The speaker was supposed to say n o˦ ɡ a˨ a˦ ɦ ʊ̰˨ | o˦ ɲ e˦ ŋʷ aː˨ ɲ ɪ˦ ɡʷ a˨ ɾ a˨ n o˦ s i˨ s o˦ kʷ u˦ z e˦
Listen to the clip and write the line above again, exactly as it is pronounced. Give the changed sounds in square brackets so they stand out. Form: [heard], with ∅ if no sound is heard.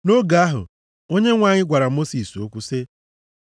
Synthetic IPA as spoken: n o˦ ɡ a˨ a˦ ɦ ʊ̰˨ | o˦ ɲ e˦ ŋʷ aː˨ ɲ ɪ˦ ɡʷ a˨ ɾ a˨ [m] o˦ s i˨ s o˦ kʷ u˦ [s] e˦